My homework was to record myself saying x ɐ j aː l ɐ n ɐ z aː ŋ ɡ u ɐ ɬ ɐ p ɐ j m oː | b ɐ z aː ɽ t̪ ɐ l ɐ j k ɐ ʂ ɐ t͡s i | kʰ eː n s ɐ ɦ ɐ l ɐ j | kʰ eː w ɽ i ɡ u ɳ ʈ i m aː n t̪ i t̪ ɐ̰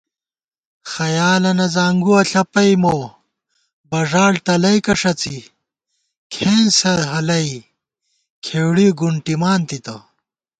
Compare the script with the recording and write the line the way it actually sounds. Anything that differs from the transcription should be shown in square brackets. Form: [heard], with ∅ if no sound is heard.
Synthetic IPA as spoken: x ɐ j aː l ɐ n ɐ z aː ŋ ɡ u ɐ ɬ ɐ p ɐ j m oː | b ɐ [ʐ] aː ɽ t̪ ɐ l ɐ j k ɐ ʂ ɐ t͡s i | kʰ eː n s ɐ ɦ ɐ l ɐ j | kʰ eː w ɽ i ɡ u ɳ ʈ i m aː n t̪ i t̪ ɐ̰